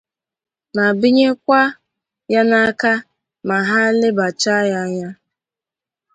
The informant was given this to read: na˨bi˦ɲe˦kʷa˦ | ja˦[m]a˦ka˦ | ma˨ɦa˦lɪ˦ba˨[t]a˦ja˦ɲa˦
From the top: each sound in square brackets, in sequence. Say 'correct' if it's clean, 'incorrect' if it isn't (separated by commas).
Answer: incorrect, incorrect